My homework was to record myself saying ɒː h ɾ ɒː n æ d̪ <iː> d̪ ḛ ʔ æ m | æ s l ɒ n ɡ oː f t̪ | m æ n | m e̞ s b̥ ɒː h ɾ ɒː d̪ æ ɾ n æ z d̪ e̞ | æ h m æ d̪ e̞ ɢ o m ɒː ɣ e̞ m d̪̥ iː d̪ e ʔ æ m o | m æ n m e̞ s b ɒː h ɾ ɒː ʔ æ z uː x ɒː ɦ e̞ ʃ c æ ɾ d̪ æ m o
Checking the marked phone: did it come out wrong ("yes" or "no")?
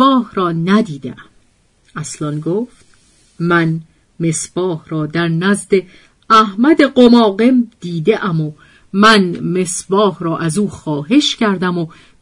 no